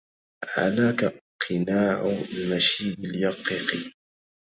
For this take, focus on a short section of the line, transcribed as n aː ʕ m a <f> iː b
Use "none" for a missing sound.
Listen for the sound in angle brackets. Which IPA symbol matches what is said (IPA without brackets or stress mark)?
ʃ